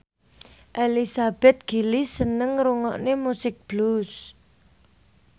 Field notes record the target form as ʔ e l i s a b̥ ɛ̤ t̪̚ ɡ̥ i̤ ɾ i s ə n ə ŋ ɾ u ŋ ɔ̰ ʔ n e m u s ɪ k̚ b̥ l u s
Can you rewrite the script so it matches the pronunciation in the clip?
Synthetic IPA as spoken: ʔ e l i s a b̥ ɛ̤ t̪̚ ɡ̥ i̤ l i s ə n ə ŋ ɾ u ŋ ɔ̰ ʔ n e m u s ɪ k̚ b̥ l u s